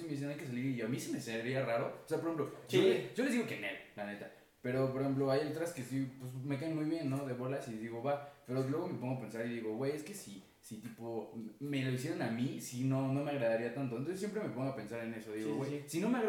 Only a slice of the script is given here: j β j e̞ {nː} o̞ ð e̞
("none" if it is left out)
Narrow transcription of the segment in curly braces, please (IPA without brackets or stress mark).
nː